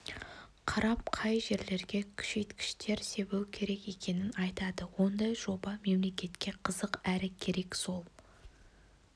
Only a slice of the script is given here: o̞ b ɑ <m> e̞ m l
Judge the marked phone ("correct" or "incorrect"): correct